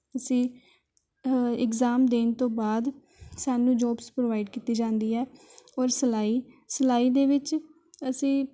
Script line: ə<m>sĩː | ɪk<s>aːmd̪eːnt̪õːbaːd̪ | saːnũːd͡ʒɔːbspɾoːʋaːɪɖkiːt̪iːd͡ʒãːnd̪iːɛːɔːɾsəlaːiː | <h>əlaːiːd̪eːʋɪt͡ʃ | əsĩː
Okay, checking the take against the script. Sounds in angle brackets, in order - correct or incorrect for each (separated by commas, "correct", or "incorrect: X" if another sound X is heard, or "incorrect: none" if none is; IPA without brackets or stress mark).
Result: incorrect: none, incorrect: z, incorrect: s